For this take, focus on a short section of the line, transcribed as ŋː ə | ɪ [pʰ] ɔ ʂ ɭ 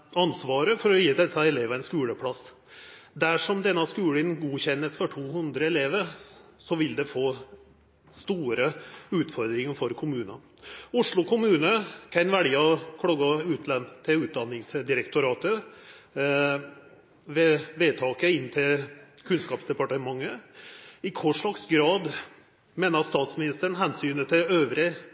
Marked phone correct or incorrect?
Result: incorrect: kʰ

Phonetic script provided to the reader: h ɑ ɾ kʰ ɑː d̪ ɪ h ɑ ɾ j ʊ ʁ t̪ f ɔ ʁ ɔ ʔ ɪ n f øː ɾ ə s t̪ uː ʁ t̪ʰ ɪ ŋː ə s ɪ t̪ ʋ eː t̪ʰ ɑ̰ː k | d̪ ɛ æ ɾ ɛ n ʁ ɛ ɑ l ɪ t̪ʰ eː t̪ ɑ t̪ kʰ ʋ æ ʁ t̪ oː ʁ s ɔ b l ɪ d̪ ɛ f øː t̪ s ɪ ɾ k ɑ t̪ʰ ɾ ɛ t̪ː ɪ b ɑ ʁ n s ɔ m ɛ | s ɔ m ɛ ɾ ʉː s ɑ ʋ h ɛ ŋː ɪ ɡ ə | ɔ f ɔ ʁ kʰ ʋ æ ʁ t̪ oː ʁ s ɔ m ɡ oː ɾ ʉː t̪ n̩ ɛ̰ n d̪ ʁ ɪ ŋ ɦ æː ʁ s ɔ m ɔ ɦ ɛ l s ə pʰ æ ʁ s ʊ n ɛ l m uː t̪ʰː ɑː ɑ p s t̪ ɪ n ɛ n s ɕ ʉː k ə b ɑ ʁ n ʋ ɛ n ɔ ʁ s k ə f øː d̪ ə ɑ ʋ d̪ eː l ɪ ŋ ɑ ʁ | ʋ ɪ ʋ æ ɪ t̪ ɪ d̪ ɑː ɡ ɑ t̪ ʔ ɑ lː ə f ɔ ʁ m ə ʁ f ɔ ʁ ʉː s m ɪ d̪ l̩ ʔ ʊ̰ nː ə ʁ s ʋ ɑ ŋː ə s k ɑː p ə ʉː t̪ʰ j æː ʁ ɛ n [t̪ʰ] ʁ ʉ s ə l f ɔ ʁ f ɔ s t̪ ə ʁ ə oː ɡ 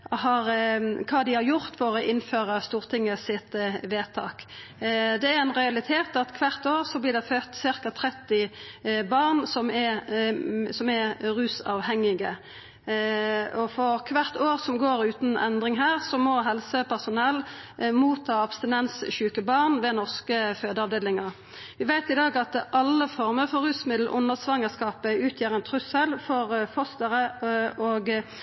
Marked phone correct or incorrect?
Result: correct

